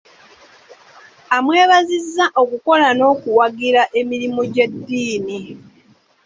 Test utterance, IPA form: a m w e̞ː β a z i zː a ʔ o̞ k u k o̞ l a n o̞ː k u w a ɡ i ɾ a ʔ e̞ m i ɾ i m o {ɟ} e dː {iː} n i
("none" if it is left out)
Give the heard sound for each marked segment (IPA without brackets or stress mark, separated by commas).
ɟ, iː